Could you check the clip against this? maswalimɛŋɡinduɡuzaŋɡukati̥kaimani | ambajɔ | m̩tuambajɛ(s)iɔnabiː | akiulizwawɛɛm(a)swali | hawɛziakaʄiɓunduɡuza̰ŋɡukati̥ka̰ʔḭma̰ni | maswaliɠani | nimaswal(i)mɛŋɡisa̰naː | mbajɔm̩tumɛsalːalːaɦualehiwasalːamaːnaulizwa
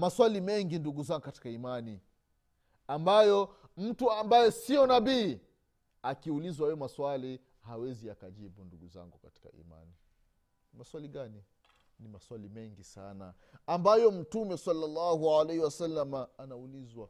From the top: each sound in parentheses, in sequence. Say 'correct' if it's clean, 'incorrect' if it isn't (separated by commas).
correct, correct, correct